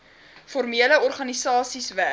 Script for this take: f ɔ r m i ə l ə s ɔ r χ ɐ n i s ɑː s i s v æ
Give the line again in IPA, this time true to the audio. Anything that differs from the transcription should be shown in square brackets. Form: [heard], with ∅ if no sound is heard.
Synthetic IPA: f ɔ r m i ə l ə [∅] ɔ r χ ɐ n i s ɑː s i s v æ